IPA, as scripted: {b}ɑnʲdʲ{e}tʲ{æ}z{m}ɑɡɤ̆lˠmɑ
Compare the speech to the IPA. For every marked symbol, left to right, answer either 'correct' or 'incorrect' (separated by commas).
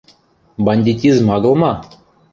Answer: correct, incorrect, incorrect, correct